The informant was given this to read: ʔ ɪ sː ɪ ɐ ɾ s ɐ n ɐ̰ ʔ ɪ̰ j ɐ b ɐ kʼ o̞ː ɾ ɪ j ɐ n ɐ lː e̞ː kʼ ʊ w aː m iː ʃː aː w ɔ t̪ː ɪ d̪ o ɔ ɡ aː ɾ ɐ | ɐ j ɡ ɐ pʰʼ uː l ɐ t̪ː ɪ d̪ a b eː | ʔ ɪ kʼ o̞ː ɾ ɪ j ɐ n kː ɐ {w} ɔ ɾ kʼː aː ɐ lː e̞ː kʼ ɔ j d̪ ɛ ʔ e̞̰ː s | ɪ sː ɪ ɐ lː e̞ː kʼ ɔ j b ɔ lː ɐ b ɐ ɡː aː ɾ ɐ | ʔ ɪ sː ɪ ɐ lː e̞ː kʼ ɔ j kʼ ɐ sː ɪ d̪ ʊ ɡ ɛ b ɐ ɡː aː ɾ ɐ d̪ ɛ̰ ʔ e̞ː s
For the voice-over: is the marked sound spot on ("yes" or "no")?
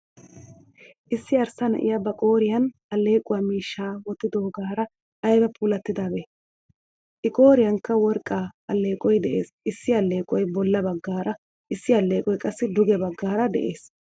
yes